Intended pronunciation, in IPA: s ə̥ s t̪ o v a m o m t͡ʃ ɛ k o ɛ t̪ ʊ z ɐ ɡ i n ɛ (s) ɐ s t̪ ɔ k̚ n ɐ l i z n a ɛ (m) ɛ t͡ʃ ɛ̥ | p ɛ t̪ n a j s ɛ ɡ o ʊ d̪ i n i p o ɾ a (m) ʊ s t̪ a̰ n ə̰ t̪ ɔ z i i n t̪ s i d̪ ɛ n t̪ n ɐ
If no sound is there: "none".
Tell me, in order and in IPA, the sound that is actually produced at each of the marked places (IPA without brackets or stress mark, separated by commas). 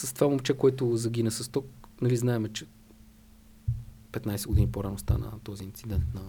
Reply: s, m, n